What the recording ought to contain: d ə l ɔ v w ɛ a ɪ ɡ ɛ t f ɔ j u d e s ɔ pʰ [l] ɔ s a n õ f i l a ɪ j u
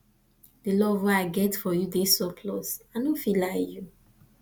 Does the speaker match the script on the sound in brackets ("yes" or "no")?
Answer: yes